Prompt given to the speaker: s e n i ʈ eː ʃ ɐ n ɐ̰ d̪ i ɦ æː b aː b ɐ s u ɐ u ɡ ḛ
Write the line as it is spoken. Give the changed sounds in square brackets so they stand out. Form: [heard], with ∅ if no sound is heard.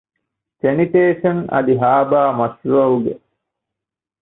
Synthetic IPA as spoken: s e n i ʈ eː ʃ ɐ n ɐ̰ d̪ i ɦ [aː] b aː [m] ɐ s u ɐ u ɡ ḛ